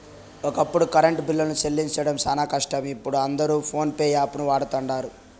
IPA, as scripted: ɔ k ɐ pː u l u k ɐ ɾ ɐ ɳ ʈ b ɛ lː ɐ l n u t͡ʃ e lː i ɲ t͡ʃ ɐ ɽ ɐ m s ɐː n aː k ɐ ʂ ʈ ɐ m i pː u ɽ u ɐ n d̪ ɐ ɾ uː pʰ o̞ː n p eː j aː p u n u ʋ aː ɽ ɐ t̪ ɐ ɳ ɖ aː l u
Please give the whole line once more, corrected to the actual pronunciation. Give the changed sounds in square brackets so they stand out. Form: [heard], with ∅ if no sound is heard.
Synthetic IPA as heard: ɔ k ɐ pː u [ɽ] u k ɐ ɾ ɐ ɳ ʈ b [i] lː ɐ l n u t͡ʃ e lː i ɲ t͡ʃ ɐ ɽ ɐ m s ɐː n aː k ɐ ʂ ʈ ɐ m i pː u ɽ u ɐ n d̪ ɐ ɾ uː pʰ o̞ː n p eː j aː p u n u ʋ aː ɽ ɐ t̪ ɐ ɳ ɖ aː [ɾ] u